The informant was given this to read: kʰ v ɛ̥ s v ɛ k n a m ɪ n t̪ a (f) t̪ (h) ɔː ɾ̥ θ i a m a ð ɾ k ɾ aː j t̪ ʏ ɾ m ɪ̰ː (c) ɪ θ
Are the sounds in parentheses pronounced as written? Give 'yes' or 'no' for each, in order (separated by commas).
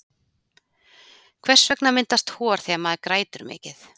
no, yes, yes